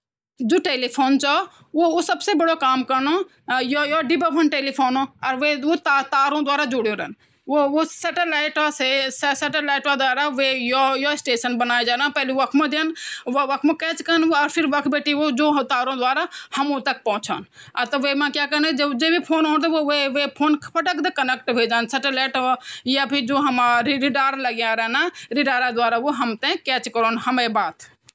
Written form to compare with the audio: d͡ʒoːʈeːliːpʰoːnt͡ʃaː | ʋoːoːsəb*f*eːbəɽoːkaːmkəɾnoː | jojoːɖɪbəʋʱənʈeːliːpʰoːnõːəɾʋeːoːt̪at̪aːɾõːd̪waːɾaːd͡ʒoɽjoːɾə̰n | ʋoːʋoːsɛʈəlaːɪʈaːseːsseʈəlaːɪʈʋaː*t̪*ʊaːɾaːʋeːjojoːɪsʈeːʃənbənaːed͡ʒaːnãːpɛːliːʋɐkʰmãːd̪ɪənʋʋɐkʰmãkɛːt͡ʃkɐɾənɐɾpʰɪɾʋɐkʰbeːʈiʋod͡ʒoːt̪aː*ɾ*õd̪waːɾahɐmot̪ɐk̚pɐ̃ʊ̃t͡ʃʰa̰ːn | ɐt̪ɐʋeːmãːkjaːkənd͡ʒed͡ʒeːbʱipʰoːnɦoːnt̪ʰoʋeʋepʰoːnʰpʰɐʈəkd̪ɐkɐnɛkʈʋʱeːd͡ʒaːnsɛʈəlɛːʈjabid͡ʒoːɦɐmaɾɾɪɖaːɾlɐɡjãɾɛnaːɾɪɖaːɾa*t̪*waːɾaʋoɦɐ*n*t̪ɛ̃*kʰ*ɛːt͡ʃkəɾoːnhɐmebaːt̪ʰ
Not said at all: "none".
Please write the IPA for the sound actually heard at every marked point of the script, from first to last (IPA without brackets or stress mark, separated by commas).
s, d̪, ɾ, d̪, m, k